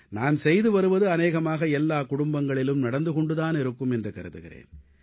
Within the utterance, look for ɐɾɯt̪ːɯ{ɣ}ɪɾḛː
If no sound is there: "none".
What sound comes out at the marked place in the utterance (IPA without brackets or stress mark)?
ɣ